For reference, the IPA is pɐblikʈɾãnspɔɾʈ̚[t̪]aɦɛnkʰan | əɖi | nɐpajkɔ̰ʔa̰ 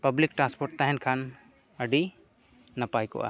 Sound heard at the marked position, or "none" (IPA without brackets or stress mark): t̪